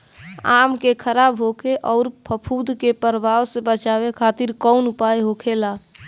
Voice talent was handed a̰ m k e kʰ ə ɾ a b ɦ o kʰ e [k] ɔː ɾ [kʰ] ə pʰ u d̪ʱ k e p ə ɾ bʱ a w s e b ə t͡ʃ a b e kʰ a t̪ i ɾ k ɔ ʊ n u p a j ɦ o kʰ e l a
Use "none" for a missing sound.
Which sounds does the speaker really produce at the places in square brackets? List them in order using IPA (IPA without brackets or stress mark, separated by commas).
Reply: ʔ, pʰ